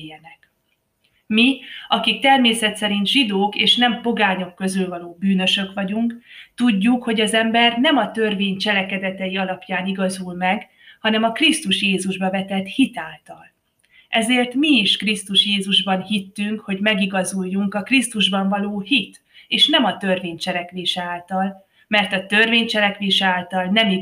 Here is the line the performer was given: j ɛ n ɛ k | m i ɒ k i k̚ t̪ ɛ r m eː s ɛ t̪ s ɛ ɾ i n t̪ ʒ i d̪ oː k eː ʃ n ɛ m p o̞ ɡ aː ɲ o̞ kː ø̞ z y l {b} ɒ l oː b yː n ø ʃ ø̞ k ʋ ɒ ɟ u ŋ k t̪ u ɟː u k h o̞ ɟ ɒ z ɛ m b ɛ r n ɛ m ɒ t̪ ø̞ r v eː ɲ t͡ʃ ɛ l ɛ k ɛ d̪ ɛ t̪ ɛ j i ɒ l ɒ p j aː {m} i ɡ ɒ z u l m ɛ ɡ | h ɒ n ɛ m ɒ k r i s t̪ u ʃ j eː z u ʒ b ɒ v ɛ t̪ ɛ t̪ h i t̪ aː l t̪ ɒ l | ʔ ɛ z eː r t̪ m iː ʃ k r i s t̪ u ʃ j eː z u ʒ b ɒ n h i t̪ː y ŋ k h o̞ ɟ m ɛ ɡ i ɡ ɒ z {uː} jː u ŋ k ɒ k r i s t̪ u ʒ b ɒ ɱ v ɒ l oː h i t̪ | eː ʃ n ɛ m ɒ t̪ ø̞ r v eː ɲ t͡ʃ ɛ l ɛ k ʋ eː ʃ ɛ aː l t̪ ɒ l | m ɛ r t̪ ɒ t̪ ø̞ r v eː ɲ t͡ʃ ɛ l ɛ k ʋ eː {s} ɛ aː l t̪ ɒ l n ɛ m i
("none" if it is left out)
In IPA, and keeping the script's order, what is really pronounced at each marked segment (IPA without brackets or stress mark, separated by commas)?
v, n, u, ʃ